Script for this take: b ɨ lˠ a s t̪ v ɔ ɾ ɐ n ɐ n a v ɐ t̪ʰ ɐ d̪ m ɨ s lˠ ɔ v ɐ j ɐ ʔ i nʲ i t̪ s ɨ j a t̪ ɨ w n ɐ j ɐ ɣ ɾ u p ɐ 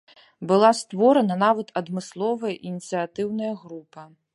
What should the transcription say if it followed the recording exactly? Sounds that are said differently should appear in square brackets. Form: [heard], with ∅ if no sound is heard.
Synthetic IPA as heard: b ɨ lˠ a s t̪ v ɔ ɾ ɐ n ɐ n a v ɐ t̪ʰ ɐ d̪ m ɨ s lˠ ɔ v ɐ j ɐ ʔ i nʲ i t̪ s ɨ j a t̪ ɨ w n ɐ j ɐ ɣ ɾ u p ɐ